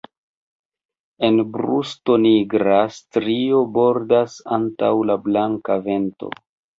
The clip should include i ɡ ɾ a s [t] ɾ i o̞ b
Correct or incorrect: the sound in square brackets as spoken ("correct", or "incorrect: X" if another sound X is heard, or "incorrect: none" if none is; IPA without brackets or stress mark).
correct